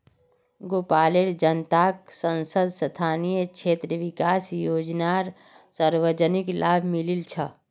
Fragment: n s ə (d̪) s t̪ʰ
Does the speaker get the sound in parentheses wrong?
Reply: no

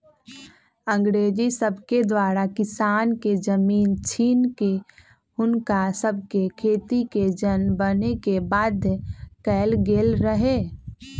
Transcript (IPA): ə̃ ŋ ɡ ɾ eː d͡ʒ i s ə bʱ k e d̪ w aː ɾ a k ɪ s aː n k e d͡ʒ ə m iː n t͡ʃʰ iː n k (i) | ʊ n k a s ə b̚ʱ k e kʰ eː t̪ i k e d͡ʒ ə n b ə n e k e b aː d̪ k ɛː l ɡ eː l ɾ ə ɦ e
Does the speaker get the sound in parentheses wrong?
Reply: yes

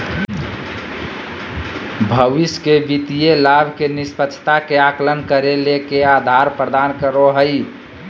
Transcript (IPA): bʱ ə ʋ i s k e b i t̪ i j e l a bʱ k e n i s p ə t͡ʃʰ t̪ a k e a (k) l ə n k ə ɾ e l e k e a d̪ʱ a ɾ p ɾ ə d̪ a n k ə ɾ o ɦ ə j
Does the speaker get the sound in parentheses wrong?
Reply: no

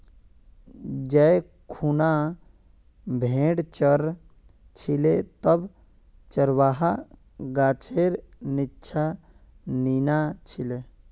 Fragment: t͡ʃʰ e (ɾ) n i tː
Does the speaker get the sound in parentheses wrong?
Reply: no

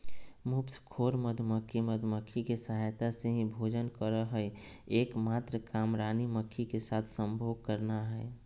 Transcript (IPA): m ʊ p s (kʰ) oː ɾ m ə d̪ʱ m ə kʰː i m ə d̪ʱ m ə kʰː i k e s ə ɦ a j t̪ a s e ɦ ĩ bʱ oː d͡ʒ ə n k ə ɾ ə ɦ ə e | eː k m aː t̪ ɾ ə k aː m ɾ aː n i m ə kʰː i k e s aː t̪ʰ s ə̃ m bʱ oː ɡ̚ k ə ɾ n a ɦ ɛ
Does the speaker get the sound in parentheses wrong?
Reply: no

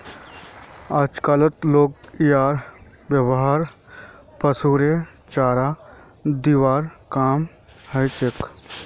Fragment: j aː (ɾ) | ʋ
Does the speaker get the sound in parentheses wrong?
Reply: no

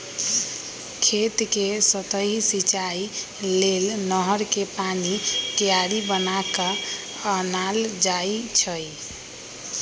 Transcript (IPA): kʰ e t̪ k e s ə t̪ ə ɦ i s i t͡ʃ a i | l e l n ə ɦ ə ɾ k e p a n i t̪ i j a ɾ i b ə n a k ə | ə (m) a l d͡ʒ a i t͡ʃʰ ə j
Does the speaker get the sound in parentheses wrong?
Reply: yes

